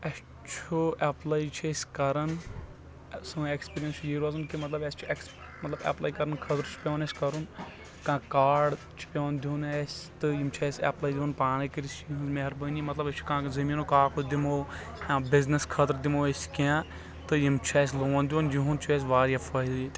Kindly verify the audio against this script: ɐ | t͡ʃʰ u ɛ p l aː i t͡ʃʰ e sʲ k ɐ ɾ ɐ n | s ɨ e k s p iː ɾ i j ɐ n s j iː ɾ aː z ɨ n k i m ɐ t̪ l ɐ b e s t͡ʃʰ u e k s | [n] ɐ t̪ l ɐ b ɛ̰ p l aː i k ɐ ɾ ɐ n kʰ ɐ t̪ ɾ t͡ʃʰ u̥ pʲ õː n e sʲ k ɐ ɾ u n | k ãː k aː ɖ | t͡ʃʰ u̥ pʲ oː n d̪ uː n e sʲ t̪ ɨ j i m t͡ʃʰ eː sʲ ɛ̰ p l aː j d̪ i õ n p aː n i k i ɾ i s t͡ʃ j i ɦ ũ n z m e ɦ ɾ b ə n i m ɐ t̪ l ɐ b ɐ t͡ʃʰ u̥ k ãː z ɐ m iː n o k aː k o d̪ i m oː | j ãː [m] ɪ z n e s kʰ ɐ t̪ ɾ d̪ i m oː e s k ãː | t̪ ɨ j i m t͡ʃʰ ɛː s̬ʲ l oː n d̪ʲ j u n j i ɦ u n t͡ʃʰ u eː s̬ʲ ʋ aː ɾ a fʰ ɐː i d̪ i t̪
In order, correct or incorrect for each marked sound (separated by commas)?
incorrect, incorrect